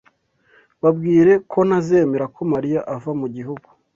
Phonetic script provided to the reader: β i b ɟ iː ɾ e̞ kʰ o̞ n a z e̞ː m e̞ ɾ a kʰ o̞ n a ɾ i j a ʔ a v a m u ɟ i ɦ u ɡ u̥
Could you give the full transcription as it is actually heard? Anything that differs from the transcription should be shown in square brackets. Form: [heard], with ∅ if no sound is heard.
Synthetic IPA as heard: β [a] b [ɡ] iː ɾ e̞ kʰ o̞ n a z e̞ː m e̞ ɾ a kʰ o̞ [m] a ɾ i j a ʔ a v a m u ɟ i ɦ u ɡ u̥